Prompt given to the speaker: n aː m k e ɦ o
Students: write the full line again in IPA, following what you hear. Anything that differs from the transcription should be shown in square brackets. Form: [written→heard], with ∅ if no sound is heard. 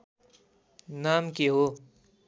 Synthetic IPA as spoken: n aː m k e ɦ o

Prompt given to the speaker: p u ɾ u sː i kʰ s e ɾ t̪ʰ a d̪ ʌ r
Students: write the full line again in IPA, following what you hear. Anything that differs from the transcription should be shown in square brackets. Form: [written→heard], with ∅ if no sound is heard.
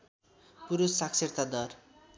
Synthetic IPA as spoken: p u ɾ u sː [i→a] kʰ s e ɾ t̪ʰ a d̪ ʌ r

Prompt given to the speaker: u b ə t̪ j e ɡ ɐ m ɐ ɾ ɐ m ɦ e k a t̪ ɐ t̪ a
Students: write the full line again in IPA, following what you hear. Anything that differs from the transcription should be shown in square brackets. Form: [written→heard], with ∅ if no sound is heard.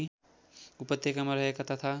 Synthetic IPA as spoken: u [b→p] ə t̪ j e [ɡ→k] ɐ m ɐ ɾ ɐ [m→∅] ɦ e k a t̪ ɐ [t̪→t̪ʰ] a

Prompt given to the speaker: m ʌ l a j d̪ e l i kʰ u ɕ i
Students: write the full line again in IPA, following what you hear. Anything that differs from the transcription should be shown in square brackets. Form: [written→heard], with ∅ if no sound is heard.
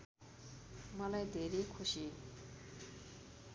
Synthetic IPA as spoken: m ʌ l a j d̪ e [l→ɾ] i kʰ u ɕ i

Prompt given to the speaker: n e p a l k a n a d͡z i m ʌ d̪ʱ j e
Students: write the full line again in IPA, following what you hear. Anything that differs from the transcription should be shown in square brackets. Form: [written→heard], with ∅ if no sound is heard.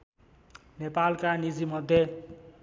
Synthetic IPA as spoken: n e p a l k a n [a→i] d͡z i m ʌ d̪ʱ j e

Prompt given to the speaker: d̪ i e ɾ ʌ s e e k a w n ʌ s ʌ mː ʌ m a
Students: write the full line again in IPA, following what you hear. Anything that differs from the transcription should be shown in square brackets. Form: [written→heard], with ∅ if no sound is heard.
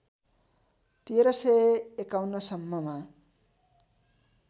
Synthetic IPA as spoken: [d̪→t̪] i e ɾ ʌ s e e k a w n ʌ s ʌ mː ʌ m a

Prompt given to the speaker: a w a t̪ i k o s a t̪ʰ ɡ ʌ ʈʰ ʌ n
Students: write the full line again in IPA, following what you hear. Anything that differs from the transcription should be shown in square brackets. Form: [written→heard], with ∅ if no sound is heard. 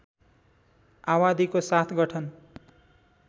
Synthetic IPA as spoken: a w a [t̪→d̪] i k o s a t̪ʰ ɡ ʌ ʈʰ ʌ n

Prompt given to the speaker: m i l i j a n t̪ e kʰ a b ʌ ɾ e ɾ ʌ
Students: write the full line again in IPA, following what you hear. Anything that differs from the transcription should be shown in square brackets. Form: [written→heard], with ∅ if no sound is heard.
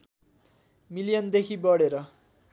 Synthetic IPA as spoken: m i l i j [a→ʌ] n [t̪→d̪] e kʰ [a→i] b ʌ [ɾ→ɽ] e ɾ ʌ

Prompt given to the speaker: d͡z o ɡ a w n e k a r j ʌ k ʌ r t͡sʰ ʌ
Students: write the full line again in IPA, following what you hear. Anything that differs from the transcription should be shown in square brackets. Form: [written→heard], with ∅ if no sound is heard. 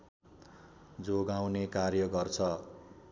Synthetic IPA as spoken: d͡z o ɡ a w n e k a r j ʌ [k→ɡ] ʌ r t͡sʰ ʌ

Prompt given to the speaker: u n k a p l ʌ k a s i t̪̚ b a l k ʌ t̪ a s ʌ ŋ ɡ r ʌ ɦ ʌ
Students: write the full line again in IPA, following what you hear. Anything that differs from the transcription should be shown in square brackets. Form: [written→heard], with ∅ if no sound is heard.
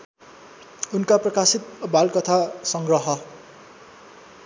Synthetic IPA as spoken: u n k a p [l→r] ʌ k a s i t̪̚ b a l k ʌ [t̪→t̪ʰ] a s ʌ ŋ ɡ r ʌ ɦ ʌ

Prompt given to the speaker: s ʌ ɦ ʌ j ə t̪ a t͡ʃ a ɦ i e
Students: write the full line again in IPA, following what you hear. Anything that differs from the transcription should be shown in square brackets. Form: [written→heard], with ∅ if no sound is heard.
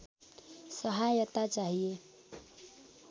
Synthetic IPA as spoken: s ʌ ɦ [ʌ→a] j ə t̪ a t͡ʃ a ɦ i e

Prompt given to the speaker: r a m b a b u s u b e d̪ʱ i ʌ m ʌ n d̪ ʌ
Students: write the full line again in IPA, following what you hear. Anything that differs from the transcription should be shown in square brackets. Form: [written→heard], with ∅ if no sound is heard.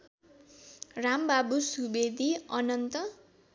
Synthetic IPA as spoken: r a m b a b u s u b e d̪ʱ i ʌ [m→n] ʌ n [d̪→t̪] ʌ

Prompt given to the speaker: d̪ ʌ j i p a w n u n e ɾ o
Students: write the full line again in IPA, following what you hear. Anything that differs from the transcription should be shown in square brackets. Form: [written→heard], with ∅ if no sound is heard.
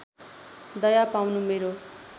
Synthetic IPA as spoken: d̪ ʌ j [i→a] p a w n u [n→m] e ɾ o

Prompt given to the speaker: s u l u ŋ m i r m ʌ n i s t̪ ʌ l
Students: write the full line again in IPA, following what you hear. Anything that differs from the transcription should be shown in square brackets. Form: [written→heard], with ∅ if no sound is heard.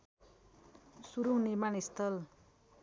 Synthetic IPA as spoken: s u [l→ɾ] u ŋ [m→n] i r m [ʌ→a] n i s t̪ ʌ l

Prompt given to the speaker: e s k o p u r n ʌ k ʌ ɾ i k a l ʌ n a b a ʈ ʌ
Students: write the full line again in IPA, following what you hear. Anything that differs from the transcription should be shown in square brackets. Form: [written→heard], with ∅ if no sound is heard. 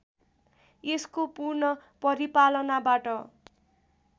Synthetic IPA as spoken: e s k o p u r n ʌ [k→p] ʌ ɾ i [k→p] a l ʌ n a b a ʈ ʌ

